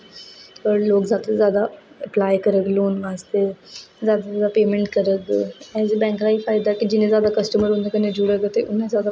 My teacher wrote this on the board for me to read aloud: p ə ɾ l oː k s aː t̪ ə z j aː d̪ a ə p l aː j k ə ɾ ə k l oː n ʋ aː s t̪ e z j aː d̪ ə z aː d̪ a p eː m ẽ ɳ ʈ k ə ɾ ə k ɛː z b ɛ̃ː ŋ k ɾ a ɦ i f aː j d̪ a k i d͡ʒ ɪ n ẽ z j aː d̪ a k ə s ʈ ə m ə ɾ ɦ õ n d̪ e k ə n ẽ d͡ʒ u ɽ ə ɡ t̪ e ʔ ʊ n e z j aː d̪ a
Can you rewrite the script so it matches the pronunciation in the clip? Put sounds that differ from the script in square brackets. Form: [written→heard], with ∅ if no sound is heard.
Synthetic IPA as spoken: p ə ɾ l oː k [s→z] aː t̪ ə z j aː d̪ a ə p l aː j k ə ɾ ə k l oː n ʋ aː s t̪ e z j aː d̪ [ə→a] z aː d̪ a p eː m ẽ ɳ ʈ k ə ɾ ə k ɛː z b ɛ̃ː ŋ k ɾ a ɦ i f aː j d̪ a k i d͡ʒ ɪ n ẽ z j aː d̪ a k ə s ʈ ə m ə ɾ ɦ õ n d̪ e k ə n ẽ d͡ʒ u ɽ ə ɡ t̪ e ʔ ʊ n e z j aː d̪ a